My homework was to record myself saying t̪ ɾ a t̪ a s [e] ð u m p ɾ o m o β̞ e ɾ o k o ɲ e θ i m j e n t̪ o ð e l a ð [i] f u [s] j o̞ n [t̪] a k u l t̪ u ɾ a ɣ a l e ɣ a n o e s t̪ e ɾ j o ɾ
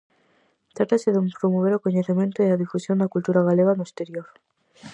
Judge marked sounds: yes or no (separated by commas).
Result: yes, yes, yes, no